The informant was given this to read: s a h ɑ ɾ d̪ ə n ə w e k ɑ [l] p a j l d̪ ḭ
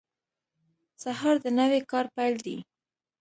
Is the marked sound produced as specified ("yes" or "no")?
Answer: no